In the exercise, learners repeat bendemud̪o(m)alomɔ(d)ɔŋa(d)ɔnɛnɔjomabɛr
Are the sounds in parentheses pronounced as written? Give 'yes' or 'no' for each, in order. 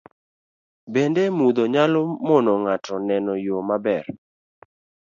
no, no, no

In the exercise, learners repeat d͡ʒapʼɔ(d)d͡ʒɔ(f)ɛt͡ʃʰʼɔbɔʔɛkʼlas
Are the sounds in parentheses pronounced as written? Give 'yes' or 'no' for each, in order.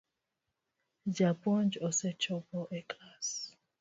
no, no

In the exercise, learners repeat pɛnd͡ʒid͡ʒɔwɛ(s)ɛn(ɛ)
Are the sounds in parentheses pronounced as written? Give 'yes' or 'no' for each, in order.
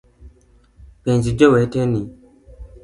no, no

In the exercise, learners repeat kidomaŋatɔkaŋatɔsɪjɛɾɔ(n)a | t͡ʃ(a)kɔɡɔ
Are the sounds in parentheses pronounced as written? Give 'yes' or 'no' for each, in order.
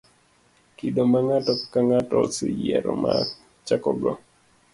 no, yes

